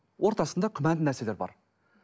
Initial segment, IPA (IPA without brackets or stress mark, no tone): w